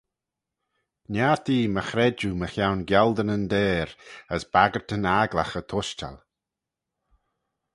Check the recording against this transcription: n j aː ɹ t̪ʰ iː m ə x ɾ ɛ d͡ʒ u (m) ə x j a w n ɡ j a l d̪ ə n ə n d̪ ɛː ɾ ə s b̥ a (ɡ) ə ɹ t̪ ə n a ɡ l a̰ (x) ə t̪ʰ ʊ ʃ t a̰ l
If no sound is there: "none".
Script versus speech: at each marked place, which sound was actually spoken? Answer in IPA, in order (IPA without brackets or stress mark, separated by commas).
m, ɡ, x